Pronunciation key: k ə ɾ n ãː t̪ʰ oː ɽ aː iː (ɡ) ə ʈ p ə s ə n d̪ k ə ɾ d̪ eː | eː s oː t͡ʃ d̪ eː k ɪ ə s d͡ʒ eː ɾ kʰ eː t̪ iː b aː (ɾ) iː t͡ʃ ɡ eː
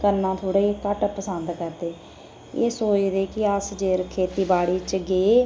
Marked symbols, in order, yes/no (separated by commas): no, no